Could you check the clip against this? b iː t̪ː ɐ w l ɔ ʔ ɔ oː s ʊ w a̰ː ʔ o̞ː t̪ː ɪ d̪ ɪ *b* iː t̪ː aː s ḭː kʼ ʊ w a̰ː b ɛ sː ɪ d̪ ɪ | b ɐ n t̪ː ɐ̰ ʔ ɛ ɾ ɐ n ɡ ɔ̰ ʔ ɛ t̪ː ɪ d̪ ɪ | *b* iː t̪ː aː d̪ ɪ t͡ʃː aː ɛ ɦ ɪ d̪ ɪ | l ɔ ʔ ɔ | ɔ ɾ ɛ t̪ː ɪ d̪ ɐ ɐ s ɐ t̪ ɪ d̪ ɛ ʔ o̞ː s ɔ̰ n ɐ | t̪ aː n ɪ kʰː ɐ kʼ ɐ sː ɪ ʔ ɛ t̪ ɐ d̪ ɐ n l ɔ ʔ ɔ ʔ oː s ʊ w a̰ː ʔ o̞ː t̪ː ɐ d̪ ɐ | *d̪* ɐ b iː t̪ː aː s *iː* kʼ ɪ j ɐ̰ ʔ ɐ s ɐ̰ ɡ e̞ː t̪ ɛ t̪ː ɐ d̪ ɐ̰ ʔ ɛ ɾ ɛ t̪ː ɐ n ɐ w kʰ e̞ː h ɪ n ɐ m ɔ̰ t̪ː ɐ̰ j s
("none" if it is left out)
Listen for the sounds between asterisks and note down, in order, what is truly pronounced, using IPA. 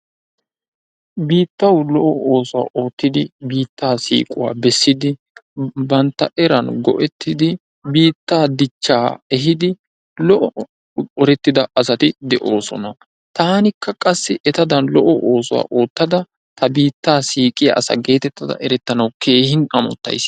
b, b, t̪, iː

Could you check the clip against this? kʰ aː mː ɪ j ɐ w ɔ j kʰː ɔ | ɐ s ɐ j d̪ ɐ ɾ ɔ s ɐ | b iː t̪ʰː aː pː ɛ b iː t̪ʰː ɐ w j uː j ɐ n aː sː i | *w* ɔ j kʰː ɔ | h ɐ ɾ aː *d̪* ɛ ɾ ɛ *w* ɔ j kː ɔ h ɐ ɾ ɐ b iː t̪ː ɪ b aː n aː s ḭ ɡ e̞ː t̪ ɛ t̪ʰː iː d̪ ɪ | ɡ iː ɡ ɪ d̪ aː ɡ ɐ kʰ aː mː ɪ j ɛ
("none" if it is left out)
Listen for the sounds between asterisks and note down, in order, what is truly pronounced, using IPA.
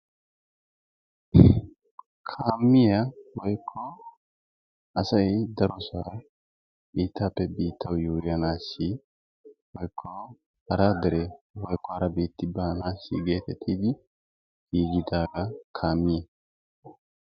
w, d̪, w

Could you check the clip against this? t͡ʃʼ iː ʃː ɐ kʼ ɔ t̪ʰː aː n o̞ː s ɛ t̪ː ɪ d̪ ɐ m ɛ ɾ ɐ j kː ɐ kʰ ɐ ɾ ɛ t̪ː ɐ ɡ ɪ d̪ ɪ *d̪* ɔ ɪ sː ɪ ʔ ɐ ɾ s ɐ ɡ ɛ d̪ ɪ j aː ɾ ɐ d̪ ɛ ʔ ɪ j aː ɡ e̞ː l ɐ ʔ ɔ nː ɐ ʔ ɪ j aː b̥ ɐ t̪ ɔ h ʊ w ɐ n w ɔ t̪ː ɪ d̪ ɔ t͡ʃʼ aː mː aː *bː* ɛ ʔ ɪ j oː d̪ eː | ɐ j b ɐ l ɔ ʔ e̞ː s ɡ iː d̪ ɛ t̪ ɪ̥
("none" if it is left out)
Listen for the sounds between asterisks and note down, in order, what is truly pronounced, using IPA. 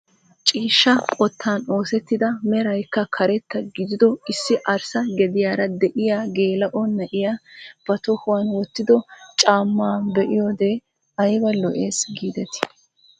d̪, b

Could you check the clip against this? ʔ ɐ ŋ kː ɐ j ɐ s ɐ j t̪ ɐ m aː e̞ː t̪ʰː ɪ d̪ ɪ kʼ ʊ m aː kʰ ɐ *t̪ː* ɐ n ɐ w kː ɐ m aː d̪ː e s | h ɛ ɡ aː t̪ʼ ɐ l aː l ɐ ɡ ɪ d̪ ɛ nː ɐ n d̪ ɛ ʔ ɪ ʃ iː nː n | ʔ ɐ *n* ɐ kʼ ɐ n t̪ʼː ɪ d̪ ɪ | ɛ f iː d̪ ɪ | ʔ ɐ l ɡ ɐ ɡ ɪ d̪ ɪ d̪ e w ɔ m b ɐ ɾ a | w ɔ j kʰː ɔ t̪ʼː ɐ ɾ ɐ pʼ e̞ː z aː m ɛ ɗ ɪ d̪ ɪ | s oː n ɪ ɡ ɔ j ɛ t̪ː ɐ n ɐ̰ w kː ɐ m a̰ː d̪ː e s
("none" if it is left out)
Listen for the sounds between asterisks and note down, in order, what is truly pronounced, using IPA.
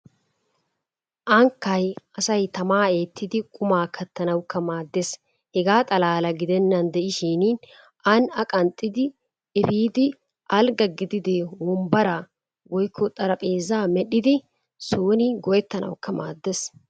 t̪ː, n

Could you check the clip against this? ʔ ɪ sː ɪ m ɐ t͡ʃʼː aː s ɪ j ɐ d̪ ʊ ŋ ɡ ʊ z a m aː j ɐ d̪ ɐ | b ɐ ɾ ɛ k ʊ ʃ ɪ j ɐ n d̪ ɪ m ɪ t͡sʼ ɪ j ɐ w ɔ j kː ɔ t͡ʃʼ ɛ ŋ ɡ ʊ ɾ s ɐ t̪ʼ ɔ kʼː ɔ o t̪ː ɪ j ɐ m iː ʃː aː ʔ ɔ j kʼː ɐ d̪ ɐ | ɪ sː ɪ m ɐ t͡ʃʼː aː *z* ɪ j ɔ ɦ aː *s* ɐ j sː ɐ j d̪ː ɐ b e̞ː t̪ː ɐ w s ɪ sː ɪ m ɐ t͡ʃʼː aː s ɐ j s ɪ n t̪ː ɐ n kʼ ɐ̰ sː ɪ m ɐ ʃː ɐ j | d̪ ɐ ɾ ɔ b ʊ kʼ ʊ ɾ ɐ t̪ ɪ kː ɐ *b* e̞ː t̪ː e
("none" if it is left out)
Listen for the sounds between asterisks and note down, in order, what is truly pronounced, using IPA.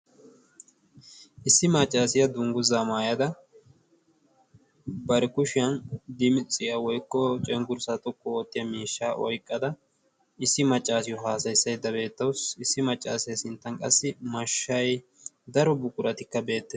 s, s, b

